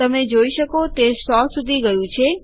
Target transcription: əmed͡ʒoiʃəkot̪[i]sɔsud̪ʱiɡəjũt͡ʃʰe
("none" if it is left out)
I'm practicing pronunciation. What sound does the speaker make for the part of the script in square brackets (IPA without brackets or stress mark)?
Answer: e